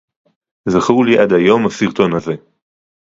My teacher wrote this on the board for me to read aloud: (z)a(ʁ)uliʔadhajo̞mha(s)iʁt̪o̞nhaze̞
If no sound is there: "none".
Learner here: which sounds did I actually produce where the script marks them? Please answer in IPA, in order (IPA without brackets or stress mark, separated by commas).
z, χ, s